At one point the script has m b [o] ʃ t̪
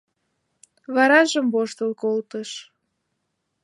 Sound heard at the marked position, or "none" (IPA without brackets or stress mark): o